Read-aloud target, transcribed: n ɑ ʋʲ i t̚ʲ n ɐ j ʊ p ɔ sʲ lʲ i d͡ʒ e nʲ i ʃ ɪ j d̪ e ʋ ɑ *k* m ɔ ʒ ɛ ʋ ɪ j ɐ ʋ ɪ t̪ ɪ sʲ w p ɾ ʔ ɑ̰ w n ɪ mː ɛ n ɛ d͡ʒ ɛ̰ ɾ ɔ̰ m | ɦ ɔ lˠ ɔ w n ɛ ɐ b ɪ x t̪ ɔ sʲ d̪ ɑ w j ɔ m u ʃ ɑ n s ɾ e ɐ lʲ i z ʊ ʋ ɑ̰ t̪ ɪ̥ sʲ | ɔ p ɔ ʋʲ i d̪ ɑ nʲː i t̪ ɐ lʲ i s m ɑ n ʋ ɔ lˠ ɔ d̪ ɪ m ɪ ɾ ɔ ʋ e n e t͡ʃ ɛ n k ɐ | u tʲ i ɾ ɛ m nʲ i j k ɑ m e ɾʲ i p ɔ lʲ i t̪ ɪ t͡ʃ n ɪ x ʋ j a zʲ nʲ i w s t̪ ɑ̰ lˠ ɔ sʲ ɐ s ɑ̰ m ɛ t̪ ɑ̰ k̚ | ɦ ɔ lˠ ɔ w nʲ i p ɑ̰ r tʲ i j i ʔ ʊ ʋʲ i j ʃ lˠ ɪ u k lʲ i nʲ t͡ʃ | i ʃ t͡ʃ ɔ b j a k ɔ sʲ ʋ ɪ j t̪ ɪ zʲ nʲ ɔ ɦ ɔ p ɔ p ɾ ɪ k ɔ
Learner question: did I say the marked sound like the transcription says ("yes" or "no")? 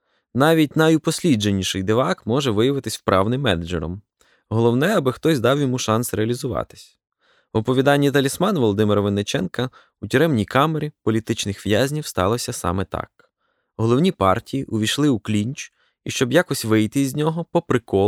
yes